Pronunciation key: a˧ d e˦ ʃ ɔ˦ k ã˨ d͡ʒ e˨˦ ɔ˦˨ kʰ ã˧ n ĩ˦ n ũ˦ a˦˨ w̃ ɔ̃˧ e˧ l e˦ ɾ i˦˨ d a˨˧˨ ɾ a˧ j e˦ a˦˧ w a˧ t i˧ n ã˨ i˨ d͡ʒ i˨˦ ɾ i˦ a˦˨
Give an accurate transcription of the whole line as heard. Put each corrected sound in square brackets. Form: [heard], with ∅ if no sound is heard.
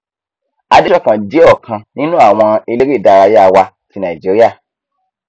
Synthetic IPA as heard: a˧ d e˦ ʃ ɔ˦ k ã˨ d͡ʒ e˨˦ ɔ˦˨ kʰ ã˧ n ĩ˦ n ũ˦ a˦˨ w̃ ɔ̃˧ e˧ l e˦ ɾ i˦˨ d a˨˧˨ ɾ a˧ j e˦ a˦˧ w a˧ t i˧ n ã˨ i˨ d͡ʒ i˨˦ ɾ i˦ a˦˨